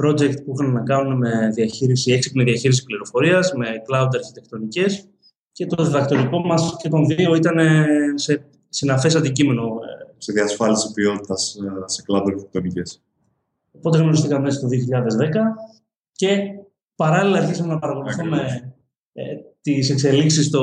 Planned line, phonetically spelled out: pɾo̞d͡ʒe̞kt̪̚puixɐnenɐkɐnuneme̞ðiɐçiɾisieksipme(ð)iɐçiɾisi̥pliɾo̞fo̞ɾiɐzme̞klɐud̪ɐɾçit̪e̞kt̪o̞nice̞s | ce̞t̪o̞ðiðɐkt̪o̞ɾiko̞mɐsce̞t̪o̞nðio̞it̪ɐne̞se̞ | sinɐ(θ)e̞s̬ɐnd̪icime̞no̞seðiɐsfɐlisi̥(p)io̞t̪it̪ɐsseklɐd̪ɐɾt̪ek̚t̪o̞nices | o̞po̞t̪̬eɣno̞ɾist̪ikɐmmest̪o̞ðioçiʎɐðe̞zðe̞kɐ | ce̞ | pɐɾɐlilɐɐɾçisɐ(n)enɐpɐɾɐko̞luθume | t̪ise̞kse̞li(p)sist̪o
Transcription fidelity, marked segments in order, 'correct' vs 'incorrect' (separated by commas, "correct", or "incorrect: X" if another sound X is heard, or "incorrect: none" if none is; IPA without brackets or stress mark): correct, incorrect: f, correct, incorrect: m, incorrect: k